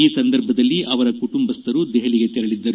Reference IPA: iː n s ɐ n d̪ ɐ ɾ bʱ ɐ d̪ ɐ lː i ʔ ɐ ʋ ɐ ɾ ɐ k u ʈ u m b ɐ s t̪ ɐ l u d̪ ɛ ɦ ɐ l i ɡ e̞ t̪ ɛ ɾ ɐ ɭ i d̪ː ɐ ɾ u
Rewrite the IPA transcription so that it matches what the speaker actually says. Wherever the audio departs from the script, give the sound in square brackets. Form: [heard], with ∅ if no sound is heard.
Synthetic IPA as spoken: iː [∅] s ɐ n d̪ ɐ ɾ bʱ ɐ d̪ ɐ lː i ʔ ɐ ʋ ɐ ɾ ɐ k u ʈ u m b ɐ s t̪ ɐ [ɾ] u d̪ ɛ ɦ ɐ l i ɡ e̞ t̪ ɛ ɾ ɐ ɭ i d̪ː ɐ ɾ u